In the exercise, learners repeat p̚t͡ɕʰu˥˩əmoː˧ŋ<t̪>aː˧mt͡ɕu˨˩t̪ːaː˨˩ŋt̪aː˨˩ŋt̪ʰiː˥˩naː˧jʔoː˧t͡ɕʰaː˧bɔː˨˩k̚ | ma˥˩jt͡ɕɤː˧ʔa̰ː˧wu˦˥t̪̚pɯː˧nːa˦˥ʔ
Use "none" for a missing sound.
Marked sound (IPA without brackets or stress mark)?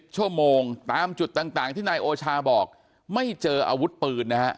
t̪